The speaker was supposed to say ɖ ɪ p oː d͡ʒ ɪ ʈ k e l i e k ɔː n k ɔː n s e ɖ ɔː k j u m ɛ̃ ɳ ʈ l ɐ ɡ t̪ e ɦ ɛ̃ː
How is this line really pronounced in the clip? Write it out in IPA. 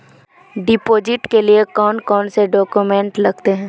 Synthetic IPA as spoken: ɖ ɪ p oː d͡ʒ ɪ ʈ k e l i e k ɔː n k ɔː n s e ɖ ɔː k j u m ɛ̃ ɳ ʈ l ɐ ɡ t̪ e ɦ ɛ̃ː